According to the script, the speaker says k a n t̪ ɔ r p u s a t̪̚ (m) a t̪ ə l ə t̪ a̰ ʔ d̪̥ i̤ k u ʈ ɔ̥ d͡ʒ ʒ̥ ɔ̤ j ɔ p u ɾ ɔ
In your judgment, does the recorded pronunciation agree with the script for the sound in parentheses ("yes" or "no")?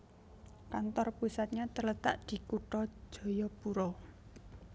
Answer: no